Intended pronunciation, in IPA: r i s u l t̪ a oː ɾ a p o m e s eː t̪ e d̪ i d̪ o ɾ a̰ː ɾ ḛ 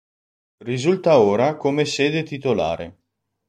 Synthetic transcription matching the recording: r i z u l t̪ a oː ɾ a k o m e s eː d̪ e t̪ i t̪ o l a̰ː ɾ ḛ